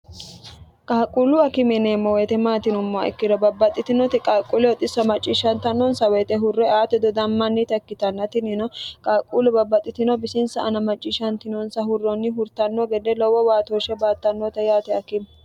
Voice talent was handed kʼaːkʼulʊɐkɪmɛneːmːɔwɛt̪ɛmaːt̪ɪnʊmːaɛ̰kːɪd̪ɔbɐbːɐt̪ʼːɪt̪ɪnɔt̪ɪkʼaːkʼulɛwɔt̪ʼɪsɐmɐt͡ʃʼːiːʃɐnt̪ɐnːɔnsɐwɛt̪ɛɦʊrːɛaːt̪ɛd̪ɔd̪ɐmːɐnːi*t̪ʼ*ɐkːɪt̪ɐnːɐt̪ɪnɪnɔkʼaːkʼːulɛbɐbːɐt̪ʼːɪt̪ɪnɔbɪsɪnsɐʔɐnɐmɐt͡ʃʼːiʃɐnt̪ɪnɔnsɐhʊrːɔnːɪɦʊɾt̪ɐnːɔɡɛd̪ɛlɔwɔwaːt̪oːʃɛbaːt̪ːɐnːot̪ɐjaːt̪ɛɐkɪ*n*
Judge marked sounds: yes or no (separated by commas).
no, no